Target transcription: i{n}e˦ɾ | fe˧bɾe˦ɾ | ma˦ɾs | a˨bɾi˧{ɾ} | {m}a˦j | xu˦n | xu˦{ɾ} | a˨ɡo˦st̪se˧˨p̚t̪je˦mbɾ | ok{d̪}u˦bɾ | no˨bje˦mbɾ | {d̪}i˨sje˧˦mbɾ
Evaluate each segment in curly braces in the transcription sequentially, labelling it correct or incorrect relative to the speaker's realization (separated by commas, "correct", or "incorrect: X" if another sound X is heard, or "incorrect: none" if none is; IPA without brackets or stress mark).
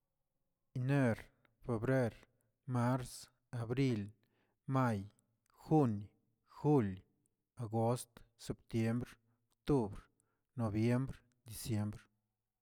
correct, incorrect: l, correct, incorrect: l, incorrect: t̪, correct